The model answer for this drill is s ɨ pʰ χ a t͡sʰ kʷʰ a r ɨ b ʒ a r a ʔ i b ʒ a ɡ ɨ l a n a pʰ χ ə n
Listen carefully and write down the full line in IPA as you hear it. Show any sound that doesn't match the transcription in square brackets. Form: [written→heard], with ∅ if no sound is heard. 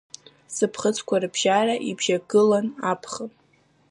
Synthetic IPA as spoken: s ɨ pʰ χ [a→ə] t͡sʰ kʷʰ a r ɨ b ʒ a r a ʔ i b ʒ a ɡ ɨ l a n a pʰ χ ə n